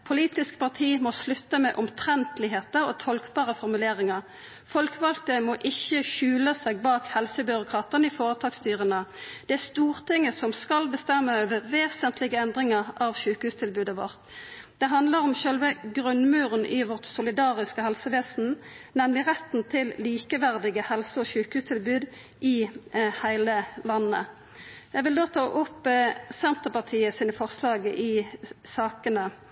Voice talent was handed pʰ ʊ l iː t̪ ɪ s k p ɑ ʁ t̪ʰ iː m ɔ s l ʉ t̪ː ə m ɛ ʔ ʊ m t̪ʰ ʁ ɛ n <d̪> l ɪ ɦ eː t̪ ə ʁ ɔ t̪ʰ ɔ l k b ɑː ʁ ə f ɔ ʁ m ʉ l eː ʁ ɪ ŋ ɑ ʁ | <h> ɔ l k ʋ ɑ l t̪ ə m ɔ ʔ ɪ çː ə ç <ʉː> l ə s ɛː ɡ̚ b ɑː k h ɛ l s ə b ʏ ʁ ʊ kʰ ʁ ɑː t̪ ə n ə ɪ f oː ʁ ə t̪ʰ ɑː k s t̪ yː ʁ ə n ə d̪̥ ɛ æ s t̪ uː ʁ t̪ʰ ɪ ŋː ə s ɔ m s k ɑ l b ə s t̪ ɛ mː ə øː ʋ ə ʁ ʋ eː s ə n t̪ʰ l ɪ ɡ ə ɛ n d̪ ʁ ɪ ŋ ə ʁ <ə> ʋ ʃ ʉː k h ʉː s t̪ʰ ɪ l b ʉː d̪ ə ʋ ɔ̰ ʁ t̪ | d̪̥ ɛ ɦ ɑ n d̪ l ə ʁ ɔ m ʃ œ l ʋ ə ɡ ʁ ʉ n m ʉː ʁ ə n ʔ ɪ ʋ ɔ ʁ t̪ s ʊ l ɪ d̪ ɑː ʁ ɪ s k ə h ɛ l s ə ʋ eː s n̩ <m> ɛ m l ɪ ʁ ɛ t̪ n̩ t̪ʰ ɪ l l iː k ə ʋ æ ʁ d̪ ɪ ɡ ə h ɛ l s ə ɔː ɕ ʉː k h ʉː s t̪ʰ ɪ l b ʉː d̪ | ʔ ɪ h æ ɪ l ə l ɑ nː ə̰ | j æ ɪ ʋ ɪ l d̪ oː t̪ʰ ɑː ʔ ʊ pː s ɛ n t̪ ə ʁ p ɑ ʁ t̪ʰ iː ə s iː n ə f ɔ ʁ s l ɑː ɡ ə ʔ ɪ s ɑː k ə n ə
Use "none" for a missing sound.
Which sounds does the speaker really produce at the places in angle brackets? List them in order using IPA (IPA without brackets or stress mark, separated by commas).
t̪, f, ʉː, ɑ, n